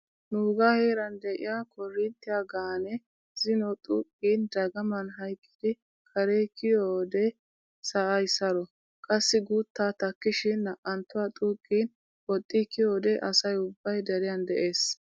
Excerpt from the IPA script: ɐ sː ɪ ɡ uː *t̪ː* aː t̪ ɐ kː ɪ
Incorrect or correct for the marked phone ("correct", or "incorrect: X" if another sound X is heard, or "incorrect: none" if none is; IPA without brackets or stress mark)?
correct